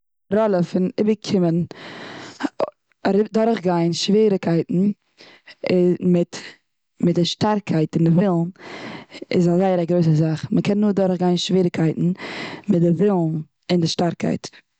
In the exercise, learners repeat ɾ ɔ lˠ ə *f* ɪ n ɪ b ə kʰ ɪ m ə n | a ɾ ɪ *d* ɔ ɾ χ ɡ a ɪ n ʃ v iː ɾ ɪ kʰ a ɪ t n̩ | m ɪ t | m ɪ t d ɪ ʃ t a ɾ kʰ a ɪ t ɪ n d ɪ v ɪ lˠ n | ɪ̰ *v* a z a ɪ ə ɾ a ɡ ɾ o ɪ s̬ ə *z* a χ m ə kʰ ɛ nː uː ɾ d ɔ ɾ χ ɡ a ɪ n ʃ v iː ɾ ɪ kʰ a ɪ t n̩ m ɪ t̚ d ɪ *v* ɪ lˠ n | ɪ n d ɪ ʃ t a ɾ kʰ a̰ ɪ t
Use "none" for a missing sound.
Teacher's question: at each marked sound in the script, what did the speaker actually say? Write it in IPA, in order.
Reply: f, d, z, z, v

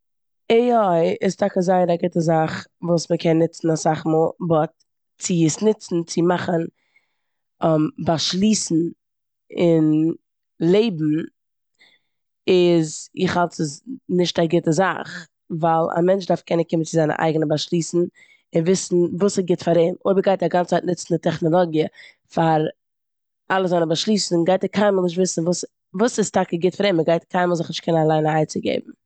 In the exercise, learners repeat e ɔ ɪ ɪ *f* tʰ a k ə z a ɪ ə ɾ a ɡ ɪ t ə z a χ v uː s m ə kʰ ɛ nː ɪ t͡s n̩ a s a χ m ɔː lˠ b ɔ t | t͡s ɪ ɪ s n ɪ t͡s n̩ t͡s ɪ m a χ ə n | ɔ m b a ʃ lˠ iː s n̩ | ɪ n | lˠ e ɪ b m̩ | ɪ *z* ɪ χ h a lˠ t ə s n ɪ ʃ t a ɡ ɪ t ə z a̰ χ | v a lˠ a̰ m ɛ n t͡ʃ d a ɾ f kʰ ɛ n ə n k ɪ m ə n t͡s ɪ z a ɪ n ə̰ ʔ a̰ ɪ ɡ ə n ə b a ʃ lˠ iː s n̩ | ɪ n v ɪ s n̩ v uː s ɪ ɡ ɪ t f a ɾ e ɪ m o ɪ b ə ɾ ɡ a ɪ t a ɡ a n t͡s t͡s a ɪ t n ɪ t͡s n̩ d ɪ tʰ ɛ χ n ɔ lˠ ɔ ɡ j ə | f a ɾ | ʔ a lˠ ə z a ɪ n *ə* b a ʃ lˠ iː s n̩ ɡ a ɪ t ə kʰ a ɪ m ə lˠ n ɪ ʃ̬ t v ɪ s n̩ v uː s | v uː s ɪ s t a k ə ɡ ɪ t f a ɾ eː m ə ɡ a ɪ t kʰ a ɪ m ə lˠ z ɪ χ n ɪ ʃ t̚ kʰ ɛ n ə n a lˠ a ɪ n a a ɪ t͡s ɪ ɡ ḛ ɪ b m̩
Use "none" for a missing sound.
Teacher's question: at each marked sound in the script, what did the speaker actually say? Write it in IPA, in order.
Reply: s, z, ə

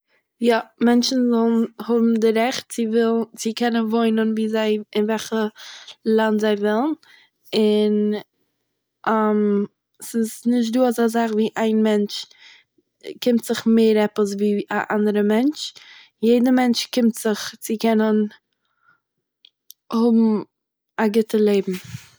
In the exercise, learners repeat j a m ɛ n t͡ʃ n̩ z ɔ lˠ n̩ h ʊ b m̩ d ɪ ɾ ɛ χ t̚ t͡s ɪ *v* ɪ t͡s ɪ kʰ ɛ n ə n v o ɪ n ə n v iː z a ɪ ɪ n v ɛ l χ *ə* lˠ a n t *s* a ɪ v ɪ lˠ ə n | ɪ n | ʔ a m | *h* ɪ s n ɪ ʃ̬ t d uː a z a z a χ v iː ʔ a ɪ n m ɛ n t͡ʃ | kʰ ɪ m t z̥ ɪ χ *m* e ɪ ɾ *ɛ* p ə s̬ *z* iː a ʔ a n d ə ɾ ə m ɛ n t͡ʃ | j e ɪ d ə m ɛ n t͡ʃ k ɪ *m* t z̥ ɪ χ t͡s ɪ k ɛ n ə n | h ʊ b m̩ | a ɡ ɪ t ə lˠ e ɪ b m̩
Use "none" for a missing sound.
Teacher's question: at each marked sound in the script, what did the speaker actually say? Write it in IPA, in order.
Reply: v, ə, z, s, m, ɛ, v, m

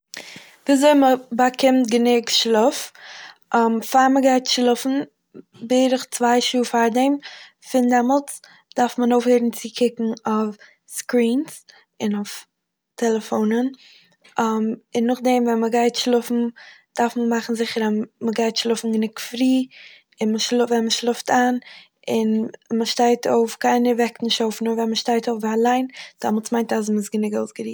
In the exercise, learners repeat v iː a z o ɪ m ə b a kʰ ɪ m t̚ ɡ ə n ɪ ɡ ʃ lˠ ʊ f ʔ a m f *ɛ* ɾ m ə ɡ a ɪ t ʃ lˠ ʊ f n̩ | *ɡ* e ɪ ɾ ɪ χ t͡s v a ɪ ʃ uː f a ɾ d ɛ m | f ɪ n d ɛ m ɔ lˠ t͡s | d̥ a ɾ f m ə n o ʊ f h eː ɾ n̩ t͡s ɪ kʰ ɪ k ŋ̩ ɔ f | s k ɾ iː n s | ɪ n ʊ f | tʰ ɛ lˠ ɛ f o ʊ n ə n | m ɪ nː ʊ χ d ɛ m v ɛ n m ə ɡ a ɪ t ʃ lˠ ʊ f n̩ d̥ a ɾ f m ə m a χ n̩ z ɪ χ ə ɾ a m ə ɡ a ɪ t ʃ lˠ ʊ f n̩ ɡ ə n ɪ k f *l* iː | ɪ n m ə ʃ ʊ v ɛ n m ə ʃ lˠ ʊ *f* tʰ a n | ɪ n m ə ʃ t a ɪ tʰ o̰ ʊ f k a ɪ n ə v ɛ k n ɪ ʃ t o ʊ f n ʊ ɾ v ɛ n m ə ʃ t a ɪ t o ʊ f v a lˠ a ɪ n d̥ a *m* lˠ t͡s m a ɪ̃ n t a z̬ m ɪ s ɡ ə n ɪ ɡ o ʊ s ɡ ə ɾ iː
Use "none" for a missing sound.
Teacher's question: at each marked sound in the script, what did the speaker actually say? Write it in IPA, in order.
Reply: a, b, ɾ, f, m

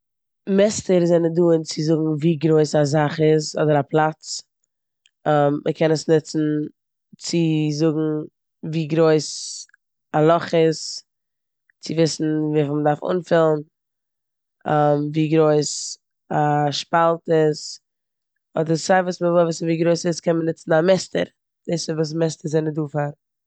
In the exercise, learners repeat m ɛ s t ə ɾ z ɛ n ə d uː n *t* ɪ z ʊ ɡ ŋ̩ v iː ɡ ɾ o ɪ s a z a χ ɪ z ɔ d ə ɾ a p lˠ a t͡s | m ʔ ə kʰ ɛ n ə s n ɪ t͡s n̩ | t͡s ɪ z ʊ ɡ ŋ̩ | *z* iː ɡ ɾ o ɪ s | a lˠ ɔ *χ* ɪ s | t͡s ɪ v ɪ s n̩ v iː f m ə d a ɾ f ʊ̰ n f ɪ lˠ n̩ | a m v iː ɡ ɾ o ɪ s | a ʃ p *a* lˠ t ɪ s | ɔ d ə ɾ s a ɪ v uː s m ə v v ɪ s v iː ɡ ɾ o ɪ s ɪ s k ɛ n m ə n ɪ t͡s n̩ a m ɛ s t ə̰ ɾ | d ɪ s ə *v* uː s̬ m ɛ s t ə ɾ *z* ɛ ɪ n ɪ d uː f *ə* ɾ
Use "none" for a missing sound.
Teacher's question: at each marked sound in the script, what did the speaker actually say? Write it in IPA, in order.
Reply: t͡s, v, χ, a, v, z, a

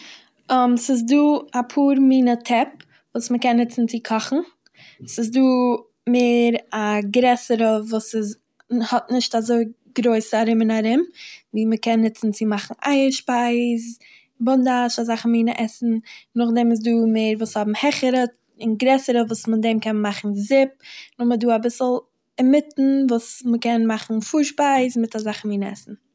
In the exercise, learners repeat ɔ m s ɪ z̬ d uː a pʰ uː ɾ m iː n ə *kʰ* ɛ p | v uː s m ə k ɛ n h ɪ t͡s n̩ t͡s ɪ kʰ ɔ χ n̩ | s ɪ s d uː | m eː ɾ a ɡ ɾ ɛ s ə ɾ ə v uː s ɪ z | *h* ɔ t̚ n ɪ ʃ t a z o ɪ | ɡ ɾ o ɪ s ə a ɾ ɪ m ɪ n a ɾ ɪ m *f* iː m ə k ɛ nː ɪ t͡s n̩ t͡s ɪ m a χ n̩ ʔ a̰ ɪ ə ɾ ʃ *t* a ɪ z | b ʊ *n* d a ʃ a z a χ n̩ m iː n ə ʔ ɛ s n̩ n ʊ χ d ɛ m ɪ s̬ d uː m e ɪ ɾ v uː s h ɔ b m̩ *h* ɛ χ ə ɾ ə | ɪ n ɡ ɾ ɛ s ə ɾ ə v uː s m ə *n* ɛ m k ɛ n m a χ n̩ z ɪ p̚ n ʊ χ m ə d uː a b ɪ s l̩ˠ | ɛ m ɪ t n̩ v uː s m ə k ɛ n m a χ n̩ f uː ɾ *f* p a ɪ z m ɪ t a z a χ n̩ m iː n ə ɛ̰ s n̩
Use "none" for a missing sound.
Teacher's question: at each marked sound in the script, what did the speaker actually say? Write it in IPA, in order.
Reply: tʰ, h, v, p, n, h, d, ʃ

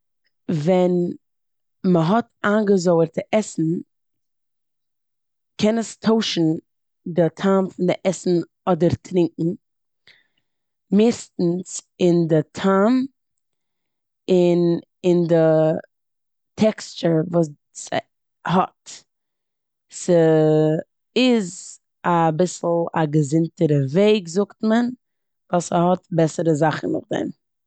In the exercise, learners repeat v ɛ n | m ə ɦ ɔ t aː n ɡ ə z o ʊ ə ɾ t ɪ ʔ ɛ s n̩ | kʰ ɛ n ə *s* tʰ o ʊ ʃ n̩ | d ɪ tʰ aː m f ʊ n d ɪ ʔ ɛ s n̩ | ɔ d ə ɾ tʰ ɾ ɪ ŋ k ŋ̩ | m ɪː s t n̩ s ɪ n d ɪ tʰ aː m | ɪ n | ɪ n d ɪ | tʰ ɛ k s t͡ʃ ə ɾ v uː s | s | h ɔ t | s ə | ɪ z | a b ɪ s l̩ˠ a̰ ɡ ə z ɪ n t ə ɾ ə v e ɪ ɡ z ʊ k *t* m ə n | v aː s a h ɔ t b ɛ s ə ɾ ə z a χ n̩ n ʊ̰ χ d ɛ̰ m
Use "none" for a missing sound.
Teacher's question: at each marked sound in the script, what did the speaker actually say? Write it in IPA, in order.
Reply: s, t

